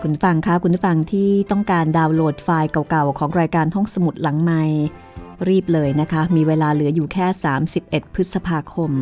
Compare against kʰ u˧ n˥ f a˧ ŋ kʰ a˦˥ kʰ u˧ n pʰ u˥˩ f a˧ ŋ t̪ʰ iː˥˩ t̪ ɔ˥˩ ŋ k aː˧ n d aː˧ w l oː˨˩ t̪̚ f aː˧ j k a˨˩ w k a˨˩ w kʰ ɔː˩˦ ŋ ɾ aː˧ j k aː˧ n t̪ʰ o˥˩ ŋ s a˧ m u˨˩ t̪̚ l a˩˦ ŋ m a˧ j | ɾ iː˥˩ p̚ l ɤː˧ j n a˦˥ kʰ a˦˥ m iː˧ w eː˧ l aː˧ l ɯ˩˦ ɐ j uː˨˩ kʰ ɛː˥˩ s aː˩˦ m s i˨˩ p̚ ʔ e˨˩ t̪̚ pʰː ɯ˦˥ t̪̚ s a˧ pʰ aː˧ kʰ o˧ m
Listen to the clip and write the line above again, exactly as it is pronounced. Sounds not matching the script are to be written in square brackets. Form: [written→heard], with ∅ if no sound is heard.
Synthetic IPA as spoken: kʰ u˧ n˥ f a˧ ŋ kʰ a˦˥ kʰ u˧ n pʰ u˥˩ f a˧ ŋ t̪ʰ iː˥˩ t̪ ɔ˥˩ ŋ k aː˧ n d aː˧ w l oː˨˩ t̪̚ f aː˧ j k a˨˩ w k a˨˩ w kʰ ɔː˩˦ ŋ ɾ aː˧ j k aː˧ n t̪ʰ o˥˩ ŋ s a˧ m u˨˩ t̪̚ l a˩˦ ŋ m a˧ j | ɾ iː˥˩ p̚ l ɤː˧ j n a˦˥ kʰ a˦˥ m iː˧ w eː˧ l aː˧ l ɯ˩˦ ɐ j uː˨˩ kʰ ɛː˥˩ s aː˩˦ m s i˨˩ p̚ ʔ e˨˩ t̪̚ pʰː ɯ˦˥ t̪̚ s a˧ pʰ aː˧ kʰ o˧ m